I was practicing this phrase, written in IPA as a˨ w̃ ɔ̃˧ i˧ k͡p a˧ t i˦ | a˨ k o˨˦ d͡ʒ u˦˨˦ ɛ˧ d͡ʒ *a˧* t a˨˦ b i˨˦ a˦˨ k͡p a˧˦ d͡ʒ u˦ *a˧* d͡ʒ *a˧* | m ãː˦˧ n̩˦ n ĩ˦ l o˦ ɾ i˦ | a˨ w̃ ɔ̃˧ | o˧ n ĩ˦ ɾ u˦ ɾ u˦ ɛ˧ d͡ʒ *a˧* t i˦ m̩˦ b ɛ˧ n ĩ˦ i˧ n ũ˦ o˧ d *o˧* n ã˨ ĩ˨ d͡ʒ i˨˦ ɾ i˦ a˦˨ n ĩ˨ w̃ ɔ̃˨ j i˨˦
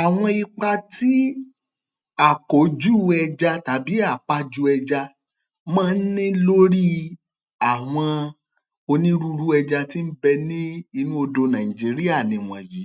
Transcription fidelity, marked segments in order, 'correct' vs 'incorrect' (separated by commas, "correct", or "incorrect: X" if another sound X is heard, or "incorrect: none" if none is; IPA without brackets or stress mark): correct, incorrect: ɛ˧, correct, correct, correct